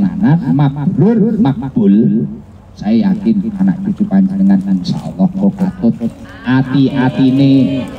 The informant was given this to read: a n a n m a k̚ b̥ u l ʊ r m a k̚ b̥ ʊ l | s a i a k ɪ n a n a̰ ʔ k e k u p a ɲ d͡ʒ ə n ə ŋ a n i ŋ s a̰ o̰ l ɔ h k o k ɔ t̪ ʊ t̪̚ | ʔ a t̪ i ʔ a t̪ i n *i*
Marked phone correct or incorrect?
incorrect: e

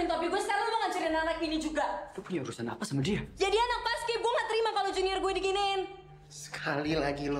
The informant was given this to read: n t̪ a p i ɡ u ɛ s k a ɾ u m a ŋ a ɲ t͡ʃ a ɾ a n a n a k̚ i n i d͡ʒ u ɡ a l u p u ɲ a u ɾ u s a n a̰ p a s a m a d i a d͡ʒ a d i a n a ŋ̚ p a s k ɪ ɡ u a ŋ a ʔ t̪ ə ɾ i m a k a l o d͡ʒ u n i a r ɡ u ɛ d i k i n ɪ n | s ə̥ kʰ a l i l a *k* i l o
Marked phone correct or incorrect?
incorrect: ɡ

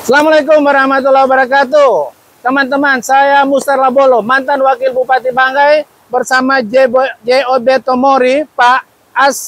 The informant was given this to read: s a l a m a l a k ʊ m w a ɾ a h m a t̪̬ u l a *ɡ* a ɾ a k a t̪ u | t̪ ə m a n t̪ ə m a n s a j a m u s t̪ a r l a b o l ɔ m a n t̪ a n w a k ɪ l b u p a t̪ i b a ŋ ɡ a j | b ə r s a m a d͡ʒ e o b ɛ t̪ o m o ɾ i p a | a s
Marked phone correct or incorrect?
incorrect: b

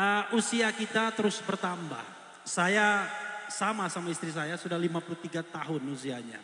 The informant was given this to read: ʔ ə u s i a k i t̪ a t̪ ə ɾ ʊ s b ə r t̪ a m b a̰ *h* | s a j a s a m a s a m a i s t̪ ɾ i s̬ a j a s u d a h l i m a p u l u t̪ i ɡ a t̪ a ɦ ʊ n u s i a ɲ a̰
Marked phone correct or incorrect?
correct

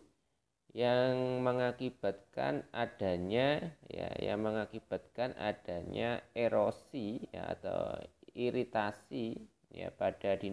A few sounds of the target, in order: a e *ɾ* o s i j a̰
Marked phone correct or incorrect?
correct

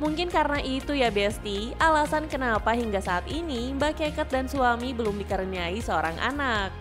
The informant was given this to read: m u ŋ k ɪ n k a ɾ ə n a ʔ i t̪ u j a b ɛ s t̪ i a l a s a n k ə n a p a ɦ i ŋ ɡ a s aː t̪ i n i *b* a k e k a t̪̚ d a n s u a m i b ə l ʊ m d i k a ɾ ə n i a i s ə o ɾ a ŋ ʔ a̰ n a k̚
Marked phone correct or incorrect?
correct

